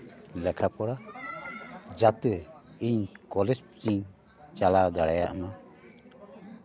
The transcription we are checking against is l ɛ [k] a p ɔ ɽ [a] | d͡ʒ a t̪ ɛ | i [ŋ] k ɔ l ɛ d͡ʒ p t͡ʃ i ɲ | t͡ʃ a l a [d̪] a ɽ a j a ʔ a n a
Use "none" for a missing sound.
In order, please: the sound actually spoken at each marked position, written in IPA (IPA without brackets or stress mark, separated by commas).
kʰ, a, ɲ, d̪